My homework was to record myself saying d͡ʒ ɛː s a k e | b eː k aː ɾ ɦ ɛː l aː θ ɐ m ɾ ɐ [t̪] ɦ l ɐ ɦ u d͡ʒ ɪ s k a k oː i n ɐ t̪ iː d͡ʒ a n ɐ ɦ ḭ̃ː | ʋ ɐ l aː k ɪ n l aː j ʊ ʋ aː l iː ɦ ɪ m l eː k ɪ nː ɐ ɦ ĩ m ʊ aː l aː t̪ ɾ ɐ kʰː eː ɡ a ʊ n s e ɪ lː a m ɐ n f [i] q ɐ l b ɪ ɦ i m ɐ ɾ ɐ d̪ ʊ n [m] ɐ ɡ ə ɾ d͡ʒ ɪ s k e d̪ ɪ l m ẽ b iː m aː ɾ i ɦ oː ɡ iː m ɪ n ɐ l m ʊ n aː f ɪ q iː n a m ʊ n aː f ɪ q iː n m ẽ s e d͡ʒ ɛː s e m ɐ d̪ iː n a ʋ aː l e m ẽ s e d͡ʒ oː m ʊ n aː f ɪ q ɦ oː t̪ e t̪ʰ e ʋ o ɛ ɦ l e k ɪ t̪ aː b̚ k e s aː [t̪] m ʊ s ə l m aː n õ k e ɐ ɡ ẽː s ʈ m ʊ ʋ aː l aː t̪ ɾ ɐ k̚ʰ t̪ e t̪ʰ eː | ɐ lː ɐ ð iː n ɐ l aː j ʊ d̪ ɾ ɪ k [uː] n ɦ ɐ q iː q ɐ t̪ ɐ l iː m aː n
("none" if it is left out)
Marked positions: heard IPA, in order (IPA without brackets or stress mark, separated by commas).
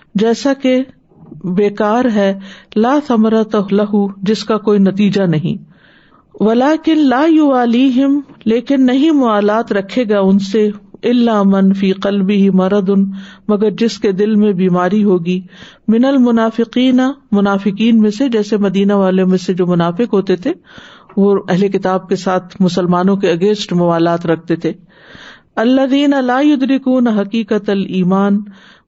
t̪, iː, m, t̪ʰ, uː